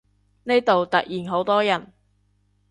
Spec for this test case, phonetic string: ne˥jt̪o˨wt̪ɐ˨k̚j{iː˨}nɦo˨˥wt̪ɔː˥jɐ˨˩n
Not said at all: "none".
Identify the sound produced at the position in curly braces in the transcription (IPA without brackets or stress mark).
iː˨